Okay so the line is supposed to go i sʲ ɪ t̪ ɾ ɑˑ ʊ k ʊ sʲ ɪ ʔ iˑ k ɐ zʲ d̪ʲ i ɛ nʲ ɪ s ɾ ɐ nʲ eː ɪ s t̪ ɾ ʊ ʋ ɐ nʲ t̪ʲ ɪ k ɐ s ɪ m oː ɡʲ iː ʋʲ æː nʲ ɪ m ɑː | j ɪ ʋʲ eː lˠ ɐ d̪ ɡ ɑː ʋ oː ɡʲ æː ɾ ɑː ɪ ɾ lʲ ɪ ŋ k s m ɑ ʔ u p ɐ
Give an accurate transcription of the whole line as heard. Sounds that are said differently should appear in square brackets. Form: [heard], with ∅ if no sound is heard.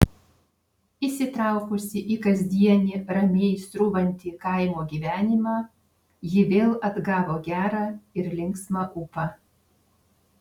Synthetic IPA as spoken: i sʲ ɪ t̪ ɾ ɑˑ ʊ k ʊ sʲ ɪ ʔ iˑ k ɐ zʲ d̪ʲ i ɛ nʲ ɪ [∅] ɾ ɐ [mʲ] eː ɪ s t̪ ɾ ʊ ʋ ɐ nʲ t̪ʲ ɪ k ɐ [∅] ɪ m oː ɡʲ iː ʋʲ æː nʲ ɪ m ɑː | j ɪ ʋʲ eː lˠ ɐ d̪ ɡ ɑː ʋ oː ɡʲ æː ɾ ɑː ɪ ɾ lʲ ɪ ŋ k s m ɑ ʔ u p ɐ